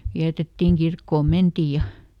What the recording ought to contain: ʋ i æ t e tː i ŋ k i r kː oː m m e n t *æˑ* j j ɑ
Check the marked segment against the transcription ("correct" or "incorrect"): incorrect